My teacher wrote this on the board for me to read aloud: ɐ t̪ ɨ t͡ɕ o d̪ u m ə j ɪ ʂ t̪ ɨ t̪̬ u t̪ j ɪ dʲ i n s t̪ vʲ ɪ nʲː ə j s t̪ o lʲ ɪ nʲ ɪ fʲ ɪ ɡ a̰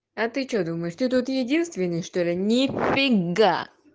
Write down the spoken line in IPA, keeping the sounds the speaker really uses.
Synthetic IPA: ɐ t̪ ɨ t͡ɕ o d̪ u m ə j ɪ ʂ t̪ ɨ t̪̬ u t̪ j ɪ dʲ i n s t̪ vʲ ɪ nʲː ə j ʂ t̪ o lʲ ɪ nʲ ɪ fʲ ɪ ɡ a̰